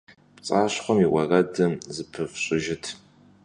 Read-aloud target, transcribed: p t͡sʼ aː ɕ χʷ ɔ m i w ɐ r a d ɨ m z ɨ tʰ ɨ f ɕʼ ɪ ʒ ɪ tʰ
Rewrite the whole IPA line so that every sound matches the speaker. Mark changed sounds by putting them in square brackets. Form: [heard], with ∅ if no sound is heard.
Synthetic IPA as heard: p t͡sʼ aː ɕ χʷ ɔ m i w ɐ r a d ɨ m z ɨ [pʰ] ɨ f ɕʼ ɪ ʒ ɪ tʰ